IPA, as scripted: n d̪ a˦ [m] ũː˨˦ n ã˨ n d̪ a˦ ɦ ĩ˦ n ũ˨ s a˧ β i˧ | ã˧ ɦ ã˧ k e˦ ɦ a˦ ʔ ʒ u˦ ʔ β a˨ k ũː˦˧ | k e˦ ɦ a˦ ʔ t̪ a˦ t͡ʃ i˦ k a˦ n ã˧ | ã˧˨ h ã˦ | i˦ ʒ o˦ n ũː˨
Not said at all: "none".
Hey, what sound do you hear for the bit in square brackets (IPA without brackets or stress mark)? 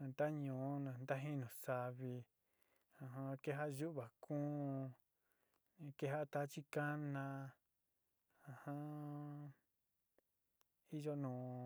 ɲ